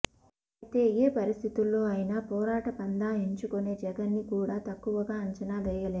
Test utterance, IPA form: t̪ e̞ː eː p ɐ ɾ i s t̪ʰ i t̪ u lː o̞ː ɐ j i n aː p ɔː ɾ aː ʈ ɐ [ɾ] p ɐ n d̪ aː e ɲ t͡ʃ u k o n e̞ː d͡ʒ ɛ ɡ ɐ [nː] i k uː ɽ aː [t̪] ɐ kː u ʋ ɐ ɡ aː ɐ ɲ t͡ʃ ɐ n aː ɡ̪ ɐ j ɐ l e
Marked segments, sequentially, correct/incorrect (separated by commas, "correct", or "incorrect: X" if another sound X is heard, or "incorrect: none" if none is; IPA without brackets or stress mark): incorrect: none, correct, correct